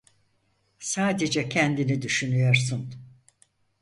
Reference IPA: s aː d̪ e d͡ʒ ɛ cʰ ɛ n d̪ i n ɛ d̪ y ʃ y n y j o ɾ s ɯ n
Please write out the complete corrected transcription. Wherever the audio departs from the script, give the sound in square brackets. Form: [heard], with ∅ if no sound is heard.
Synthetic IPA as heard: s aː d̪ e d͡ʒ ɛ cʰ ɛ n d̪ i n [i] d̪ y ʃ y n y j o ɾ s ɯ n